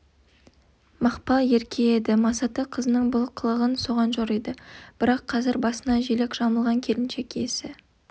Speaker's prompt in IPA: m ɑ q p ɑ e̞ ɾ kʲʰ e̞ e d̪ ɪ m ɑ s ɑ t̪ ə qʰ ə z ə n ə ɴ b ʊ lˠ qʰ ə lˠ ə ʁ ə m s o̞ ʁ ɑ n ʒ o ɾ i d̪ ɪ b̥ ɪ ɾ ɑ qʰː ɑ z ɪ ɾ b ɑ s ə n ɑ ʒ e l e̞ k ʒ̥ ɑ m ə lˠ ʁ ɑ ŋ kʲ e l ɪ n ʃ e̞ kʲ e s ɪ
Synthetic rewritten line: m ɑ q p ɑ e̞ ɾ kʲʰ e̞ e d̪ ɪ m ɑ s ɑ t̪ ə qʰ ə z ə n ə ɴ b ʊ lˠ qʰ ə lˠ ə ʁ ə n s o̞ ʁ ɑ n ʒ o ɾ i d̪ ɪ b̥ ɪ ɾ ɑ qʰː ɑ z ɪ ɾ b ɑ s ə n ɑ ʒ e l e̞ k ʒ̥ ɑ m ə lˠ ʁ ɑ ŋ kʲʰ e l ɪ n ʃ e̞ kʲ e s ɪ